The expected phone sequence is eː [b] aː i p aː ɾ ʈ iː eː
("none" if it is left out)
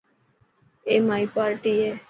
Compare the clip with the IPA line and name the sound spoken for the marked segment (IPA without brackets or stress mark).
m